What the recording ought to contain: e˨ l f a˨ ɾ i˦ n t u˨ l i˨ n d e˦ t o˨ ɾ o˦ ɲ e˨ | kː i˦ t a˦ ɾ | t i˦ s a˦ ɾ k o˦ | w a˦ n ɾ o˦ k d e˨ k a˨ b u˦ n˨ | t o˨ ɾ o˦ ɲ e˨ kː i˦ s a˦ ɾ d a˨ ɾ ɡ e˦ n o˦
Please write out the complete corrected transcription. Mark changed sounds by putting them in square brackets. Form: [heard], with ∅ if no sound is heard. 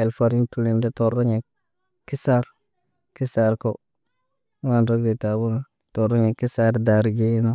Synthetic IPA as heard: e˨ l f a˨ ɾ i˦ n t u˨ l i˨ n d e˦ t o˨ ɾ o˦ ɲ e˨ | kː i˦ [s] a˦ ɾ | [k] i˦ s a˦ ɾ k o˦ | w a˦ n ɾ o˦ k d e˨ [t] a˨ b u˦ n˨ | t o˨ ɾ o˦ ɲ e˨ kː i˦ s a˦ ɾ d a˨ ɾ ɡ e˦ n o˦